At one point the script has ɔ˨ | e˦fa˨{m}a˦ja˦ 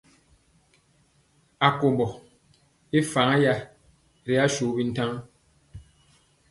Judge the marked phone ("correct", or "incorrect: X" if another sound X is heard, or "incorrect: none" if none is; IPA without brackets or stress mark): incorrect: ŋ